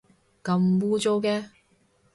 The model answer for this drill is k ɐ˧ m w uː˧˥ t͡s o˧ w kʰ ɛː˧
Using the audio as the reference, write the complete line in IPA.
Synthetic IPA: k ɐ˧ m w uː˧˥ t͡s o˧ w k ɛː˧